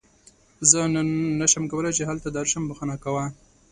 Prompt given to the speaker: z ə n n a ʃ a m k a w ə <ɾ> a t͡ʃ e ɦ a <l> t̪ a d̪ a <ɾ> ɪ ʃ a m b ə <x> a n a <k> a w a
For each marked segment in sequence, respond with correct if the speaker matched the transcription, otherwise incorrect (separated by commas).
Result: incorrect, correct, correct, correct, correct